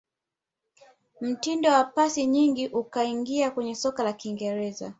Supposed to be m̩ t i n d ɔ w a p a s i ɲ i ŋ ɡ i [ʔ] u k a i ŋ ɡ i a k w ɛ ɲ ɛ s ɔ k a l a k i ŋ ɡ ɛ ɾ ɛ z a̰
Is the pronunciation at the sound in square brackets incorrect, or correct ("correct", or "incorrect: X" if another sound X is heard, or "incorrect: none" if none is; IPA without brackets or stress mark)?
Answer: correct